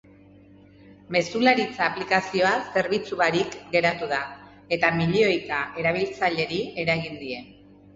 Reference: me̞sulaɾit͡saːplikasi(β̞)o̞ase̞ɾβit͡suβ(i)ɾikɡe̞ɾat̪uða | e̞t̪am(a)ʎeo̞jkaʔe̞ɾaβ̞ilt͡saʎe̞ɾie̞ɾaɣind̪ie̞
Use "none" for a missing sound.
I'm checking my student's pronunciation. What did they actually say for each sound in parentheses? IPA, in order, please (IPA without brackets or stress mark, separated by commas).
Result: none, a, i